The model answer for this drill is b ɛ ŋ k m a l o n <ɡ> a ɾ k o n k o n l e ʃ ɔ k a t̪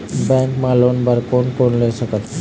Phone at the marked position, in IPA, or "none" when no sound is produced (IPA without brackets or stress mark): b